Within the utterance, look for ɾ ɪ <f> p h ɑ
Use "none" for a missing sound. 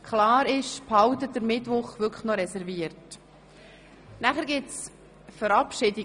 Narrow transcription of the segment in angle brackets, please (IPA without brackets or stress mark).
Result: ʃ